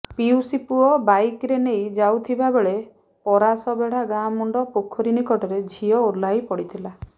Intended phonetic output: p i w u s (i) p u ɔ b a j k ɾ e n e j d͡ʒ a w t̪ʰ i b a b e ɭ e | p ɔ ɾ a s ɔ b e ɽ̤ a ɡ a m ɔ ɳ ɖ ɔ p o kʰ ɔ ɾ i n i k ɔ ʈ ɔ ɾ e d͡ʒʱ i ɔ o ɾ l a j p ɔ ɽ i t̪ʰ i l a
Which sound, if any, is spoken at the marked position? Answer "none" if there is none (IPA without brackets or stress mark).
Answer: i